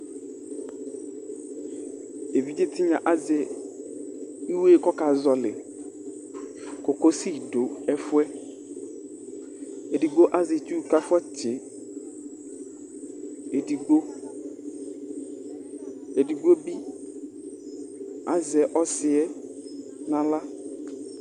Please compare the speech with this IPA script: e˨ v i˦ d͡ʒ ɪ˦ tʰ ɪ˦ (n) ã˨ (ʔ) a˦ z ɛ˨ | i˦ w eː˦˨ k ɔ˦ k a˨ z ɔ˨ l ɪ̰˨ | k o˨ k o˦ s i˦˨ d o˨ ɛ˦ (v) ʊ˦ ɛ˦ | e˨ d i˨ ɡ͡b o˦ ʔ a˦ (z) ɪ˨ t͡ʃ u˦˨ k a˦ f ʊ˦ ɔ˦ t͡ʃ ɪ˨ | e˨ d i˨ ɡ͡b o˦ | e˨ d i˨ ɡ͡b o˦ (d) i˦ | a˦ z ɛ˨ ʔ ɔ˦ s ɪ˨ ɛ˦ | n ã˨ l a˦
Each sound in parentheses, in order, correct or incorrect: incorrect: ɲ, correct, incorrect: f, correct, incorrect: b

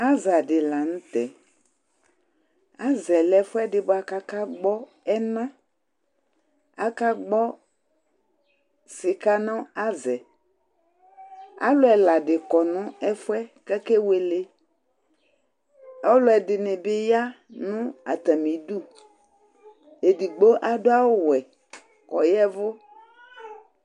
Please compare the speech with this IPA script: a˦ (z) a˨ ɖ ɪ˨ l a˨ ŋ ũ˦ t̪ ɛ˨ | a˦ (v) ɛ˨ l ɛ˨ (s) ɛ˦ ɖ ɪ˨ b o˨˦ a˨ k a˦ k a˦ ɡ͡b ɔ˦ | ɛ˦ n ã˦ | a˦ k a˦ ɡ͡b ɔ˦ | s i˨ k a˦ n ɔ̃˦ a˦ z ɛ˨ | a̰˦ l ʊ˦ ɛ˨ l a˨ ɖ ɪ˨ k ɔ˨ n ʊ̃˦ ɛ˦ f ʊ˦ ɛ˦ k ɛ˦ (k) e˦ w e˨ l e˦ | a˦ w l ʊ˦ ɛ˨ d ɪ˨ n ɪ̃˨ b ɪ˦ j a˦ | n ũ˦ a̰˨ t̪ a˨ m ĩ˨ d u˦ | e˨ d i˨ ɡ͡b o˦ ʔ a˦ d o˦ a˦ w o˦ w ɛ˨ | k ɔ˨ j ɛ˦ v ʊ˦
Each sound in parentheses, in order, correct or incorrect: correct, incorrect: z, incorrect: f, correct

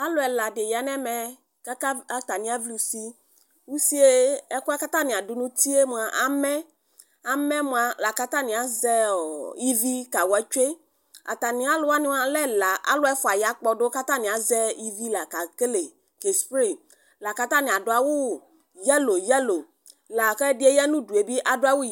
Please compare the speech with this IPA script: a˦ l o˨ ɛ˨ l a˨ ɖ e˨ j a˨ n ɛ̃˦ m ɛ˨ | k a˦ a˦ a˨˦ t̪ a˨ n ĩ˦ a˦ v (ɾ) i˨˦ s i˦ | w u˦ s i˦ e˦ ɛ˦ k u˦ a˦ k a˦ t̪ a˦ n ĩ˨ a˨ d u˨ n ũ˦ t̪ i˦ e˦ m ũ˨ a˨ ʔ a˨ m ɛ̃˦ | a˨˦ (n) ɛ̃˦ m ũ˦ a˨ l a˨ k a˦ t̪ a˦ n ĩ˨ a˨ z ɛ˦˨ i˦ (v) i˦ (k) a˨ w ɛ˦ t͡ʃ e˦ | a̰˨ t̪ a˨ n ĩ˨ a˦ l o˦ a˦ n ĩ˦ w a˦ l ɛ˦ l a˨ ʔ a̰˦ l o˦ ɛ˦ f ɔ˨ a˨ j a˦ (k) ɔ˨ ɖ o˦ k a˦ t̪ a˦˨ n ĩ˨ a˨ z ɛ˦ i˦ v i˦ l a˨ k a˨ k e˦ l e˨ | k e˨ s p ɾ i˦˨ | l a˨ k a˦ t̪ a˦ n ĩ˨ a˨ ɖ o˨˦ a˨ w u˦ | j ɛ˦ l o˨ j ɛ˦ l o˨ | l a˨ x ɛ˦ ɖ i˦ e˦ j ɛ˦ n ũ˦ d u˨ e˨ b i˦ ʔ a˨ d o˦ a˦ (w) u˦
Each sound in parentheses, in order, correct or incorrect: incorrect: l, incorrect: m, correct, correct, incorrect: k͡p, correct

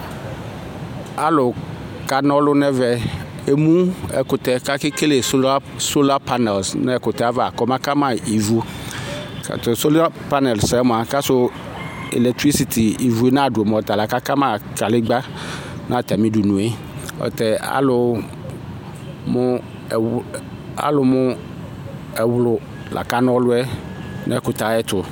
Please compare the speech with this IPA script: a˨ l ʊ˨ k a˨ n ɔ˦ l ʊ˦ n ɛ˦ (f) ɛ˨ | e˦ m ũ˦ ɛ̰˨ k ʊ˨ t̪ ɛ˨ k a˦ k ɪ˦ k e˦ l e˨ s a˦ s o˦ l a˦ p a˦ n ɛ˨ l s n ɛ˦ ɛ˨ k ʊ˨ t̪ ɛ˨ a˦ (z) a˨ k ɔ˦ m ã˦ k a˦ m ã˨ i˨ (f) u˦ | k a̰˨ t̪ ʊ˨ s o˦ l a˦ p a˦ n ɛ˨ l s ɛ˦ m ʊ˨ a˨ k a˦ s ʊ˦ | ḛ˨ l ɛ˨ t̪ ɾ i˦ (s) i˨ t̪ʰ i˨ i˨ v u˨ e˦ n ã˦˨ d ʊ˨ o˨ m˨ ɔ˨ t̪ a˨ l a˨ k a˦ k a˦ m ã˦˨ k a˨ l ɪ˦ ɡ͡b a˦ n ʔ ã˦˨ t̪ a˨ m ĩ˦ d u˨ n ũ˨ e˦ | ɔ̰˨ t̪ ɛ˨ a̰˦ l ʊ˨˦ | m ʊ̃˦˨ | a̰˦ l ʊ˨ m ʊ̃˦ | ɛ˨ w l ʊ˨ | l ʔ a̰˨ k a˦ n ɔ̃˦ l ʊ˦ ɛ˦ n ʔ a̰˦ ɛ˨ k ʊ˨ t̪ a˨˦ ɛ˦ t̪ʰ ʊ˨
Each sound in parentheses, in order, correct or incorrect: incorrect: v, incorrect: v, incorrect: v, correct

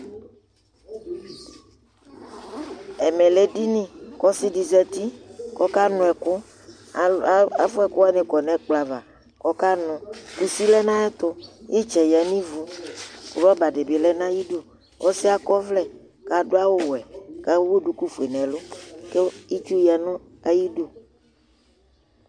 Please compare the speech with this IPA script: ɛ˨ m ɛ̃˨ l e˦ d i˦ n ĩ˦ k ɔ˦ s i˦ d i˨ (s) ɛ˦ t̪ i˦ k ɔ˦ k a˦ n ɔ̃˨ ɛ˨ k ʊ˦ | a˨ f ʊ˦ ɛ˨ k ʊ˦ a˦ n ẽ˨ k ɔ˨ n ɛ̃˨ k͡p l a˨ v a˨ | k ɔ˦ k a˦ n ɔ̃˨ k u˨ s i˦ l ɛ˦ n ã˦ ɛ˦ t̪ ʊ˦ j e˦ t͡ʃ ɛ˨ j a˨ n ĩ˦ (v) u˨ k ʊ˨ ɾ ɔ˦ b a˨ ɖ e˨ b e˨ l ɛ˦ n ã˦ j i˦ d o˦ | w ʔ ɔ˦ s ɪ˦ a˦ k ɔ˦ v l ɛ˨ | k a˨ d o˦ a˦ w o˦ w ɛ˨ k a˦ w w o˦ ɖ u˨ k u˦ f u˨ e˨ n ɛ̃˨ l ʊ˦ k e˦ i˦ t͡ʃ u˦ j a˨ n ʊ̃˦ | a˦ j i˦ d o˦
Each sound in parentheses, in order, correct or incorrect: incorrect: z, correct

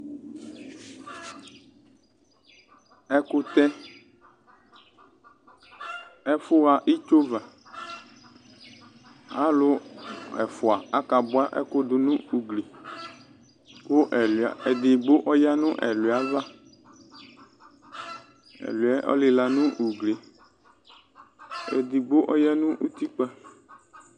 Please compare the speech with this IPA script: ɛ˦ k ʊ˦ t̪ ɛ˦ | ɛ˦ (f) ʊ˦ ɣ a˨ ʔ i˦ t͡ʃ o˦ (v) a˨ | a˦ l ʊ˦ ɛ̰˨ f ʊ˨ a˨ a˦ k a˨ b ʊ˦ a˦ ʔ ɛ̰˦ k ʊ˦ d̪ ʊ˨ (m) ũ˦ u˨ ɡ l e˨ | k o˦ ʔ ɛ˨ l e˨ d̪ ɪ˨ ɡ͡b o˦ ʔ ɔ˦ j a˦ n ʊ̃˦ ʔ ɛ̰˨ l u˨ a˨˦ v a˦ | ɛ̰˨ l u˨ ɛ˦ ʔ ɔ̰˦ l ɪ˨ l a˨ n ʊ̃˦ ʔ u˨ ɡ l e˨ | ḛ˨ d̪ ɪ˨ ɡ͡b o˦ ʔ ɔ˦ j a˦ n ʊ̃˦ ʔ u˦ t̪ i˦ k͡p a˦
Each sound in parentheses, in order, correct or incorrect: correct, correct, incorrect: n

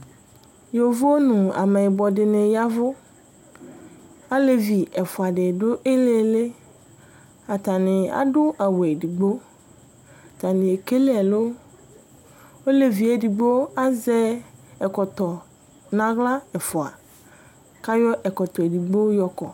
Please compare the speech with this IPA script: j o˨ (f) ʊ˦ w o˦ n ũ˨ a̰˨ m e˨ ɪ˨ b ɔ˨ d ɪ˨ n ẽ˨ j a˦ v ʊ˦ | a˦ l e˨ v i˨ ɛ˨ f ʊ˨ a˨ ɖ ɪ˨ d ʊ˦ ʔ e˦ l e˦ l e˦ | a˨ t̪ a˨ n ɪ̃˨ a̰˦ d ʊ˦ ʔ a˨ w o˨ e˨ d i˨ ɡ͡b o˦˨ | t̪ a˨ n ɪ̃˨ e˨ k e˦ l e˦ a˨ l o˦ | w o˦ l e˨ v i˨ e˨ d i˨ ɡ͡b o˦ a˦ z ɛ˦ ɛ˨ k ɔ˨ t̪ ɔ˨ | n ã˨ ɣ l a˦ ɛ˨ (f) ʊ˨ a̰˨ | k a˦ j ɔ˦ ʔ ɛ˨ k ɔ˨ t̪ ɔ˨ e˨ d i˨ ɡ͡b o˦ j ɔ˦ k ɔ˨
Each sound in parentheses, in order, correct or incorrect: incorrect: v, correct

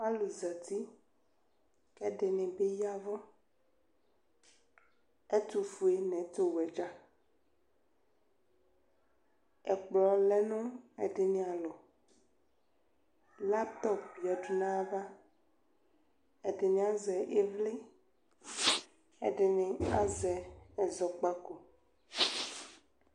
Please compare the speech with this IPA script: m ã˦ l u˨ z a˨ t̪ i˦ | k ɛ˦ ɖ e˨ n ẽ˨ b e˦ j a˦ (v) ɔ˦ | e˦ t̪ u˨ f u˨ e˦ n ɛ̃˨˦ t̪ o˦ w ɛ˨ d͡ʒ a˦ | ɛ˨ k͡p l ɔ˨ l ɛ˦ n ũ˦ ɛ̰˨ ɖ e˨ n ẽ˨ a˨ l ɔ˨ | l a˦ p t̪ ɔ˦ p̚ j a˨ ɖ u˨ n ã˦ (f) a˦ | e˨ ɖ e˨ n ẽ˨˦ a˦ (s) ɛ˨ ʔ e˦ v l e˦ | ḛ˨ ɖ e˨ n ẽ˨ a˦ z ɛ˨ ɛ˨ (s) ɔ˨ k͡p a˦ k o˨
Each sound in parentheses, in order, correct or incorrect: correct, incorrect: v, incorrect: z, incorrect: z

